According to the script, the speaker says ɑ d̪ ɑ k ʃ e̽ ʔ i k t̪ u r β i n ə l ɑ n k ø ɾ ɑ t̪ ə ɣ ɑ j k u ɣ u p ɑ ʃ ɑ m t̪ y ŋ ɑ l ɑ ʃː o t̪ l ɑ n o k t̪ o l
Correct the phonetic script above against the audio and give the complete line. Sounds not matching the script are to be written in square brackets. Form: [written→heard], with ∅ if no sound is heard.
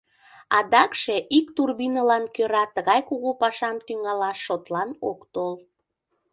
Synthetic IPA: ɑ d̪ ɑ k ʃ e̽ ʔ i k t̪ u r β i n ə l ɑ n k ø ɾ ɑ t̪ ə ɣ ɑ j k u ɣ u p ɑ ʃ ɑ m t̪ y ŋ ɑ l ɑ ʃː o t̪ l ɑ n o k t̪ o l